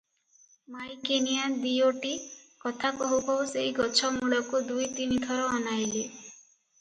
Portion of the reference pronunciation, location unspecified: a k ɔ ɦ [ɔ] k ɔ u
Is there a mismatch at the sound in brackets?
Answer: yes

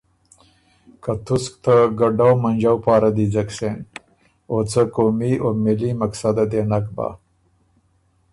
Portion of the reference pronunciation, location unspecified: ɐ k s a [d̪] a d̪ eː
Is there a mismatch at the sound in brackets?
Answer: no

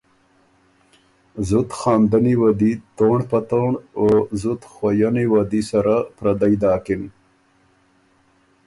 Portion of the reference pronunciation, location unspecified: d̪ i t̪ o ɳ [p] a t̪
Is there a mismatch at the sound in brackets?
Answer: no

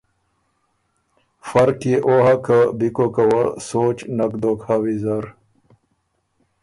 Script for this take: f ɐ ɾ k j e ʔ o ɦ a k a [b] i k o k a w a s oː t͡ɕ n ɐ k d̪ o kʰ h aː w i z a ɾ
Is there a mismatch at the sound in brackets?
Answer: no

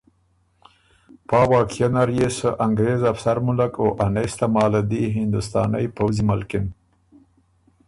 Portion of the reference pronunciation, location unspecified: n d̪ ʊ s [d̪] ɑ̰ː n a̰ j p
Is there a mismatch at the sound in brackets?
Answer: yes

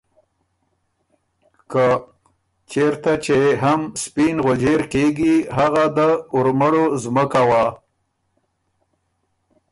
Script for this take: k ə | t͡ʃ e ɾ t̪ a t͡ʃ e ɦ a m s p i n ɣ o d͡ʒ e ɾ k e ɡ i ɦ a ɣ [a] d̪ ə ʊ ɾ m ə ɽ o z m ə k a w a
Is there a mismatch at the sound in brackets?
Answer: no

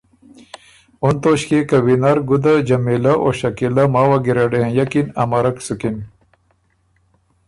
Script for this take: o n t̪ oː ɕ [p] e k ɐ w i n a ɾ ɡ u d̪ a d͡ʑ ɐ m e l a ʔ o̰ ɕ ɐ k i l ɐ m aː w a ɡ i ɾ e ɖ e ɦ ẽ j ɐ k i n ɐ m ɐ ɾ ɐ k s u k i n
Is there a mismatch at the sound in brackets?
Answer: yes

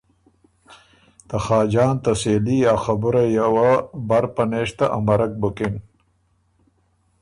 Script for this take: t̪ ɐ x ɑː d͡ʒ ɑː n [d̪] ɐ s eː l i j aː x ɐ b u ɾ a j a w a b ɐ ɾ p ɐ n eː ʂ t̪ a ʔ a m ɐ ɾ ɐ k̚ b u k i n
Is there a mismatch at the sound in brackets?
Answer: yes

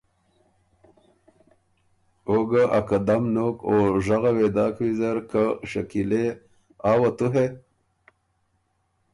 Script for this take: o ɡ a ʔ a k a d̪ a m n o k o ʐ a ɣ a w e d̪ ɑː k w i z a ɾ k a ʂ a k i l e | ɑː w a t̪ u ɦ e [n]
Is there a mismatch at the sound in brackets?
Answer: yes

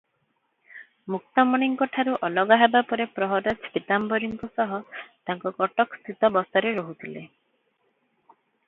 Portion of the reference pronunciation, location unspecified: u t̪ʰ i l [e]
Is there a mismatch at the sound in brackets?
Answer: no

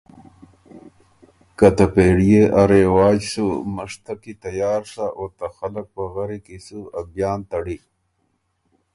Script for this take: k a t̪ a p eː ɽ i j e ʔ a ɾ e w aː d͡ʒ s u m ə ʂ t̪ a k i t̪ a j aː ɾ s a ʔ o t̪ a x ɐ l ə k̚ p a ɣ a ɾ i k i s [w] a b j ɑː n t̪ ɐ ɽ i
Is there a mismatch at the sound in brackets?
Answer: yes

